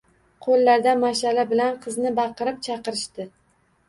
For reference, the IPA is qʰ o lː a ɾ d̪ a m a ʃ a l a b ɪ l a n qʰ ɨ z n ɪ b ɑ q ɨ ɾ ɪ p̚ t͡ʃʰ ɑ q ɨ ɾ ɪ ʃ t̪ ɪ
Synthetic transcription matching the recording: qʰ o lː a ɾ d̪ a m a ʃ a l a b ɪ l a n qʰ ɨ z n ɪ b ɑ q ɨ ɾ ɪ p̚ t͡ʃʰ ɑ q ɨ ɾ ɪ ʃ t̪ ɪ